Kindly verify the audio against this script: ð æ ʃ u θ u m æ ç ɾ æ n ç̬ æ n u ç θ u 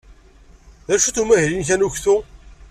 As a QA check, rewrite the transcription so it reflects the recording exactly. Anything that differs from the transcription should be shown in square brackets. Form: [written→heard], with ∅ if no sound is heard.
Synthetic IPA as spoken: ð æ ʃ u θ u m æ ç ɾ [æ→i] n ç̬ æ n u ç θ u